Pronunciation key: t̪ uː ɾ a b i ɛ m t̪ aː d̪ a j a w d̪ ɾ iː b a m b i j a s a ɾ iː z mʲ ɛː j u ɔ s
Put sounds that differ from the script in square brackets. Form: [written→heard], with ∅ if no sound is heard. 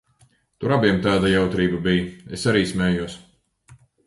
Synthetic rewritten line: t̪ [uː→u] ɾ a b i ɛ m t̪ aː d̪ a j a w [d̪→t̪] ɾ iː b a [m→∅] b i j [a→e] s a ɾ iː [z→s] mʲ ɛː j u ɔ s